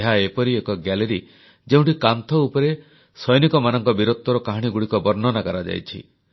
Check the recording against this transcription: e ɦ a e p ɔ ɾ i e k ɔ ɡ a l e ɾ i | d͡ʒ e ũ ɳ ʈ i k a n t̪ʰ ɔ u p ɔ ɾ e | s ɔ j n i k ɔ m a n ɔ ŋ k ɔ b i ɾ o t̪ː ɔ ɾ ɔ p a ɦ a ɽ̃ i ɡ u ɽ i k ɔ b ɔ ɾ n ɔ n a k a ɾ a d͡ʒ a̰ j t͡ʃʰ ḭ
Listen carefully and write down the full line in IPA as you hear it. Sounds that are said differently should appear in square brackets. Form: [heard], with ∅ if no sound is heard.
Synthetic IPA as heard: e ɦ a e p ɔ ɾ i e k ɔ ɡ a l e ɾ i | d͡ʒ e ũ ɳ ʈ i k a n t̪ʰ ɔ u p ɔ ɾ e | s ɔ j n i k ɔ m a n ɔ ŋ k ɔ b i ɾ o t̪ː ɔ ɾ ɔ [k] a ɦ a ɽ̃ i ɡ u ɽ i k ɔ b ɔ ɾ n ɔ n a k a ɾ a d͡ʒ a̰ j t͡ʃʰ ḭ